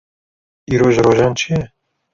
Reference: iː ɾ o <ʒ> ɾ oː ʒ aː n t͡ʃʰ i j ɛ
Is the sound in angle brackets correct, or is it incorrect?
correct